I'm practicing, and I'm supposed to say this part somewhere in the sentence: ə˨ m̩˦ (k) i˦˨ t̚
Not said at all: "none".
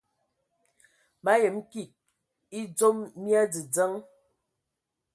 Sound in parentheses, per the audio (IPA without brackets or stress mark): k